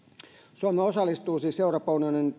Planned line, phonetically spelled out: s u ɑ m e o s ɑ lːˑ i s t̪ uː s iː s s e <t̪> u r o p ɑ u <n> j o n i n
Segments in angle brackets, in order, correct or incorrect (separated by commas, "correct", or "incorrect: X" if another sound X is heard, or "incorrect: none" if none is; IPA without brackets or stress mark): incorrect: none, correct